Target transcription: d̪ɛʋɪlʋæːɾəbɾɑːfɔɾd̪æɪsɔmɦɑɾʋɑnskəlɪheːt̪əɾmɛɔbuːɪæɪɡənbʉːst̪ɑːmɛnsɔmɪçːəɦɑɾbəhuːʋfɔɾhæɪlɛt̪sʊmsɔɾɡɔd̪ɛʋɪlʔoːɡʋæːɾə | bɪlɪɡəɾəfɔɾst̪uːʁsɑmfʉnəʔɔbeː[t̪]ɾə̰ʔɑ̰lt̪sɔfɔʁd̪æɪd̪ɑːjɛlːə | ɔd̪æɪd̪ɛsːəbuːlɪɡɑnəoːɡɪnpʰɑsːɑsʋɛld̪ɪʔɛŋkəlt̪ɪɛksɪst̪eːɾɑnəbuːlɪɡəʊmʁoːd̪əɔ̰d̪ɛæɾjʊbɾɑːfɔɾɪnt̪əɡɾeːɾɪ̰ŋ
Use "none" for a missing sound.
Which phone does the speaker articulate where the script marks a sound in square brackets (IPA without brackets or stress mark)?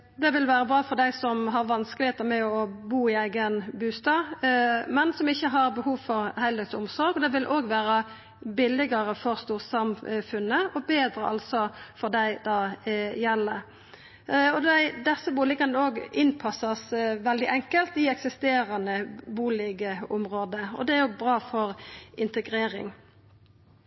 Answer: d̪